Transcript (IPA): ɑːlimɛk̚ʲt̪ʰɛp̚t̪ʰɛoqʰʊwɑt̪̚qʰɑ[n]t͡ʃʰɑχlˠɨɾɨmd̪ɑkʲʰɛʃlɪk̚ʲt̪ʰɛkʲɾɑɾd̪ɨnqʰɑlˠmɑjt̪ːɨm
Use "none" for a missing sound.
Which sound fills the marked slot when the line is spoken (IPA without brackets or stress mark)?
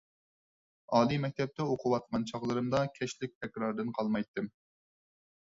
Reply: n